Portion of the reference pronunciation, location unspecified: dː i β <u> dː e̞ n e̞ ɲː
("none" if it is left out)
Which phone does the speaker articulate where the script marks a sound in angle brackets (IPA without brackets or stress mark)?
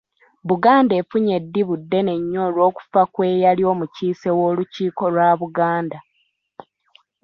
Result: u